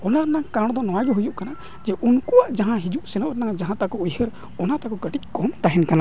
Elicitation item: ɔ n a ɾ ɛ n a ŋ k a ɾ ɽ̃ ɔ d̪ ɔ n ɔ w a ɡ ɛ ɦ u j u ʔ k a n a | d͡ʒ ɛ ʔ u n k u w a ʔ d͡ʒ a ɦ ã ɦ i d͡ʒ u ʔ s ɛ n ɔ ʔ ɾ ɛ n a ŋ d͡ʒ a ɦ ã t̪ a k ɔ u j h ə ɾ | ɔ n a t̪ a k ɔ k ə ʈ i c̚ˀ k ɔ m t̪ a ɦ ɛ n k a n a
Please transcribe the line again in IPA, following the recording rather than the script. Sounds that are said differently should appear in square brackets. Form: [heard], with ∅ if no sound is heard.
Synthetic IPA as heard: ɔ n a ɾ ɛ n a ŋ k a ɾ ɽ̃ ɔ d̪ ɔ n ɔ w a ɡ ɛ ɦ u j u ʔ k a n a | d͡ʒ ɛ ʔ u n k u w a ʔ d͡ʒ a ɦ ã ɦ i d͡ʒ u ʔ s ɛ n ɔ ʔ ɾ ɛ n a ŋ d͡ʒ a ɦ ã t̪ a k ɔ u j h ə ɾ | ɔ n a t̪ a k ɔ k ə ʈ i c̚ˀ k ɔ m t̪ a ɦ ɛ n k a n a